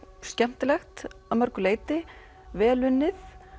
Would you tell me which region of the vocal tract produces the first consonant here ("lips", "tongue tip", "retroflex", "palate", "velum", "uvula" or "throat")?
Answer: tongue tip